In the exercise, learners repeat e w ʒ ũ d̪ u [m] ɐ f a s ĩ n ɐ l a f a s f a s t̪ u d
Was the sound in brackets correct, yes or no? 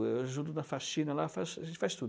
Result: no